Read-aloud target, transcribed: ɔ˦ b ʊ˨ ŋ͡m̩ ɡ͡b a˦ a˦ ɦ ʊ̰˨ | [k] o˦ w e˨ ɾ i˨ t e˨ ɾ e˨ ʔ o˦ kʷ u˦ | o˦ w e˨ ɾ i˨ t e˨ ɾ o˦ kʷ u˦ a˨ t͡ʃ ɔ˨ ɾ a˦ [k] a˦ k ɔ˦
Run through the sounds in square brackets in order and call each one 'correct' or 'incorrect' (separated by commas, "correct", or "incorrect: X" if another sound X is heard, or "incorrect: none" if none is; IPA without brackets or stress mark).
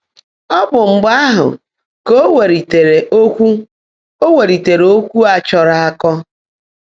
correct, incorrect: none